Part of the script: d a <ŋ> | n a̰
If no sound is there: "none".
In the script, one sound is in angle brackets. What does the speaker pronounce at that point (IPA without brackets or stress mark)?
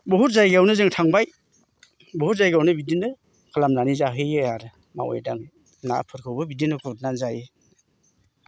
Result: ŋ